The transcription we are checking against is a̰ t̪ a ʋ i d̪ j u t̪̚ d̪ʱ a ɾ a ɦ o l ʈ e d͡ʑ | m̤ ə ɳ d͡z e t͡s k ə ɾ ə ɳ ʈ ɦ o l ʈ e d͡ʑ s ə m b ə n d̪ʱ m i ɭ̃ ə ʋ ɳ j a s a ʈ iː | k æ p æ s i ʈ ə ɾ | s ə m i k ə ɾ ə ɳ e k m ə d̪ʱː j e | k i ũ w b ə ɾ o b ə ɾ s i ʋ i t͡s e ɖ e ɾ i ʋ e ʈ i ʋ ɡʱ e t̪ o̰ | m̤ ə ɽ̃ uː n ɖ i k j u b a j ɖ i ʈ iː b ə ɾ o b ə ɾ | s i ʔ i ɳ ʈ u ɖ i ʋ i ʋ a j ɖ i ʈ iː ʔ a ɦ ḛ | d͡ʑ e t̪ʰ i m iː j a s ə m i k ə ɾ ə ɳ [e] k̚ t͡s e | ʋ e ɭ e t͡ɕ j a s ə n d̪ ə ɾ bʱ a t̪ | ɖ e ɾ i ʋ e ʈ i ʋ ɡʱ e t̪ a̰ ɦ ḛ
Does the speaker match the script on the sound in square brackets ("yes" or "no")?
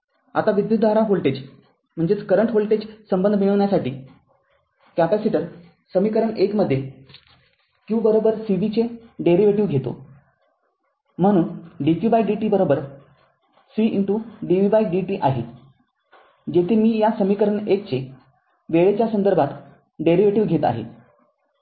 yes